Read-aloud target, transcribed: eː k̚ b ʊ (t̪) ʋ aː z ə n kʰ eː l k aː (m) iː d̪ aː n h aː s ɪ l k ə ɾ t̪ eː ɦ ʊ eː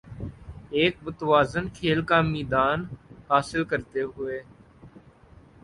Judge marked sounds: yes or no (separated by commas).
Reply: yes, yes